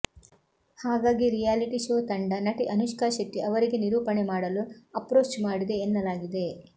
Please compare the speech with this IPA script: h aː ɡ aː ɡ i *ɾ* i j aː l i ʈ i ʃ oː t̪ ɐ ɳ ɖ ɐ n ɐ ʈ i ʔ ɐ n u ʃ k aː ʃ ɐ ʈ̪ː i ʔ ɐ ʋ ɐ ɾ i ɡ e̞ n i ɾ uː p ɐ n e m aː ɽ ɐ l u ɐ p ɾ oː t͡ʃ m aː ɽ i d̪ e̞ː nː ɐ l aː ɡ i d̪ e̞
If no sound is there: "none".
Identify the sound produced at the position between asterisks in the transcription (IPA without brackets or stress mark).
ɾ